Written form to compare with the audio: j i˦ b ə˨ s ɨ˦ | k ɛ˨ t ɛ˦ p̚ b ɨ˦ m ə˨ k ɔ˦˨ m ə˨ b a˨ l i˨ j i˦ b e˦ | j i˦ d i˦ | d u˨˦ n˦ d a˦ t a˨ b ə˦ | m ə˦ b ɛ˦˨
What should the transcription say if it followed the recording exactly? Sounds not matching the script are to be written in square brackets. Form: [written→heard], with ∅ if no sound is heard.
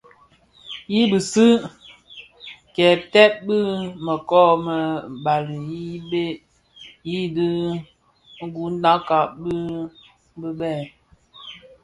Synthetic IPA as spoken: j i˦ b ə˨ s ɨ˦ | k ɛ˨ t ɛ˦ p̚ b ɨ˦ m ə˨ k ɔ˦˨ m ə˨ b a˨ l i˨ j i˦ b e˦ | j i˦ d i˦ | [d→ɡ] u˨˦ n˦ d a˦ [t→k] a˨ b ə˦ | [m→b] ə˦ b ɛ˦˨